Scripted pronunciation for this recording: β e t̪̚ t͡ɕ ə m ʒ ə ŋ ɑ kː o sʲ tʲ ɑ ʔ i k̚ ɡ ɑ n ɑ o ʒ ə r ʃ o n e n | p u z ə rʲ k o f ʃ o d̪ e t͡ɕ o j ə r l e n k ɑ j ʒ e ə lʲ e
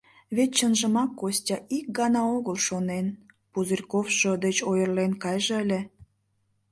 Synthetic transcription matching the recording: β e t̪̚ t͡ɕ ə n ʒ ə m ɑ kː o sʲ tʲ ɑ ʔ i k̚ ɡ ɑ n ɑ o ɣ ə l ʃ o n e n | p u z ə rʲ k o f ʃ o d̪ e t͡ɕ o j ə r l e n k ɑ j ʒ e ə lʲ e